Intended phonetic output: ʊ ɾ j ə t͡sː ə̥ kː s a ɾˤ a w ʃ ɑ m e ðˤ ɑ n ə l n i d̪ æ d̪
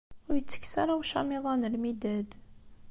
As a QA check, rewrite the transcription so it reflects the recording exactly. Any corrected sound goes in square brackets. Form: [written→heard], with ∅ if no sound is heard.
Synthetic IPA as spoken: ʊ ɾ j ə t͡sː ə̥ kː s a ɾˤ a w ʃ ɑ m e ðˤ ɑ n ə l [n→m] i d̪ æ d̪